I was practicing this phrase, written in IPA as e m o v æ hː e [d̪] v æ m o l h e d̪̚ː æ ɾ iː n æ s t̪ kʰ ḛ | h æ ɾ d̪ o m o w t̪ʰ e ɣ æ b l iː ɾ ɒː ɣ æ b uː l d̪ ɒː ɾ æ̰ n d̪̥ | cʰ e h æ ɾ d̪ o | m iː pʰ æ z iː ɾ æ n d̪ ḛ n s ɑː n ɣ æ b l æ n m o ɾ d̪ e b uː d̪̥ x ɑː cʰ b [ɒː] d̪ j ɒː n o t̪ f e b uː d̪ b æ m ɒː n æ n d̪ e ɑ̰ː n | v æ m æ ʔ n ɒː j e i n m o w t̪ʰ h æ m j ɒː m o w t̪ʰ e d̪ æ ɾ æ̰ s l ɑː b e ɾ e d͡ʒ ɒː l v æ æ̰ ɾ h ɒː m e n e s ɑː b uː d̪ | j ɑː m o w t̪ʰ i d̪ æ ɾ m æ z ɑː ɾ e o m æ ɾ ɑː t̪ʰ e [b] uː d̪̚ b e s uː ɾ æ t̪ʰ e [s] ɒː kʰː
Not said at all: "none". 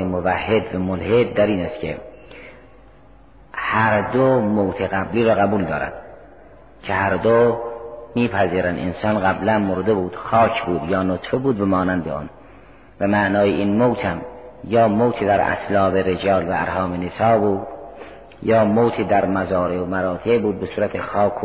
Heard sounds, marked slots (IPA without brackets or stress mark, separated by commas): d̪, uː, b, x